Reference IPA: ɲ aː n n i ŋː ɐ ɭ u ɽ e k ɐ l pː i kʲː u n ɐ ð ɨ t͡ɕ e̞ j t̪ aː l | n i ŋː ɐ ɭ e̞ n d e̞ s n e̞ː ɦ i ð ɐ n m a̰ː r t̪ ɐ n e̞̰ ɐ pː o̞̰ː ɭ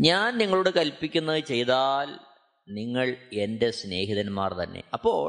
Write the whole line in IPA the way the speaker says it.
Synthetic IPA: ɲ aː n n i ŋː ɐ ɭ u ɽ e k ɐ l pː i kʲː u nː ɐ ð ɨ t͡ɕ e̞ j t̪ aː l | n i ŋː ɐ ɭ e̞ n d e̞ s n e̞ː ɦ i ð ɐ n m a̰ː r t̪ ɐ nː e̞̰ ɐ pː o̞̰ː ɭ